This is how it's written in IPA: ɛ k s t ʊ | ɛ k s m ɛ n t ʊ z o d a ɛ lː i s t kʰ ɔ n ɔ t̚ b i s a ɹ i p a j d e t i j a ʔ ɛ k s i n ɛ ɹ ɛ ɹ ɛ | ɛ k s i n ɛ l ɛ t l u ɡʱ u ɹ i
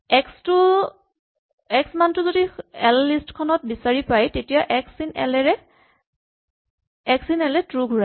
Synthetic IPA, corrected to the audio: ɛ k s t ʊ | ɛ k s m a n t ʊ z o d i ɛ lː i s t kʰ ɔ n ɔ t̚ b i s a ɹ i p a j t e t i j a ʔ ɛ k s i n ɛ l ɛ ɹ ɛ | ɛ k s i n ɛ l ɛ t ɹ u ɡʱ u ɹ a